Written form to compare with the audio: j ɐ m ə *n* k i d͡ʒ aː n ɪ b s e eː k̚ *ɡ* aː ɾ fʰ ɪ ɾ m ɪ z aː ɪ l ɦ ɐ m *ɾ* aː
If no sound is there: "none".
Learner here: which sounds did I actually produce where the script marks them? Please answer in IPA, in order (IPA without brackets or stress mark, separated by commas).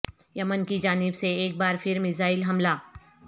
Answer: n, b, l